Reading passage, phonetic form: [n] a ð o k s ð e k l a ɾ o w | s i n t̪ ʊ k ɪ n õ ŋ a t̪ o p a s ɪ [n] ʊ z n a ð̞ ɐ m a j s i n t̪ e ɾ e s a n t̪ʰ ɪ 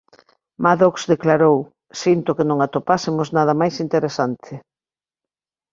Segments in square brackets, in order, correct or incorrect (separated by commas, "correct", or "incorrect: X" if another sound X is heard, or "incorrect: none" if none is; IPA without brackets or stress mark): incorrect: m, incorrect: m